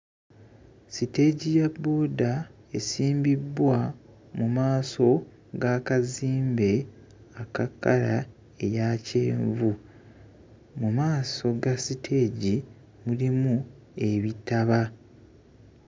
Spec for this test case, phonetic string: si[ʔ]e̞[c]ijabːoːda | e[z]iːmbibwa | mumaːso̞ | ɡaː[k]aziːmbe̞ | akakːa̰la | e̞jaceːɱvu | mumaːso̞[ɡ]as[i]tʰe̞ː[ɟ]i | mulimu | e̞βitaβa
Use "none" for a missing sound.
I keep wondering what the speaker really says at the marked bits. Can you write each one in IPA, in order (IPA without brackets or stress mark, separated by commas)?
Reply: t, ɟ, s, k, ɡ, i, ɟ